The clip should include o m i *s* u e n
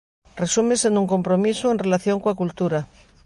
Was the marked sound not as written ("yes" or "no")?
no